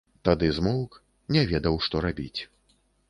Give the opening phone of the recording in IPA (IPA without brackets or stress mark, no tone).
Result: t̪